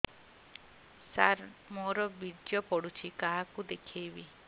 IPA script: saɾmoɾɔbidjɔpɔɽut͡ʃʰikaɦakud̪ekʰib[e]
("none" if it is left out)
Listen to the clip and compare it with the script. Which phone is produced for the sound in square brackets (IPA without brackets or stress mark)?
i